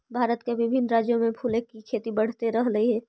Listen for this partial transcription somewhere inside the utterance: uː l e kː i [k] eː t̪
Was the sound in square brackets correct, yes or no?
no